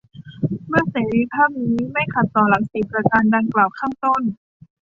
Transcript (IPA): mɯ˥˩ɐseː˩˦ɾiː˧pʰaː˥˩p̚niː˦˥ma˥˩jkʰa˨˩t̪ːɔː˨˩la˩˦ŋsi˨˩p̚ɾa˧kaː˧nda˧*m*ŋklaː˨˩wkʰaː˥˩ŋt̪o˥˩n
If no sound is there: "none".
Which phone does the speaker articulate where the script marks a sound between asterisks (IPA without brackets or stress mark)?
none